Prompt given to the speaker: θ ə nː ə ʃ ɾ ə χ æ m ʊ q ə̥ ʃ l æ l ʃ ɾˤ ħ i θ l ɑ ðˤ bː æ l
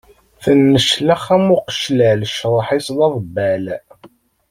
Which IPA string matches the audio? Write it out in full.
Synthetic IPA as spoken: θ ə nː ə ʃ l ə χ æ m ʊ q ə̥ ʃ l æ l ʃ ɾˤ ħ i s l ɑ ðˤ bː æ l